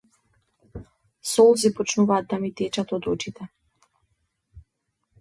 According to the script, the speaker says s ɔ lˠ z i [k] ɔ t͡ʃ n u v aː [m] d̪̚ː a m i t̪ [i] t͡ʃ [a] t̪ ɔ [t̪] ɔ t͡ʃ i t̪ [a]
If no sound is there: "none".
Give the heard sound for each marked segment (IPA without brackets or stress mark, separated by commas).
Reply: p, none, ɛ, a, d̪, ɛ